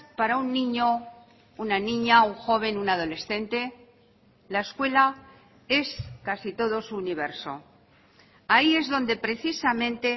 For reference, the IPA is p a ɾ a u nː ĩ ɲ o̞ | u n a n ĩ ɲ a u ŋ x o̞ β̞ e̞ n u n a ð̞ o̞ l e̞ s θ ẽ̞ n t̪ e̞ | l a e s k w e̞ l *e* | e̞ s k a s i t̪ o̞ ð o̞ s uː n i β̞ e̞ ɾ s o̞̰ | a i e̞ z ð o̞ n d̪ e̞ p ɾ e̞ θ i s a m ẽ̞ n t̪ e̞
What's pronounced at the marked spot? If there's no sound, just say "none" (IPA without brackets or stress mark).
a